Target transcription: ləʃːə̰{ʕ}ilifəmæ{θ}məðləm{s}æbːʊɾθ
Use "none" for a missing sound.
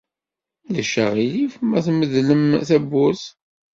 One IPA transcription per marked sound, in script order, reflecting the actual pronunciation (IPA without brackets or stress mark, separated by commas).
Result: ʁ, θ, θ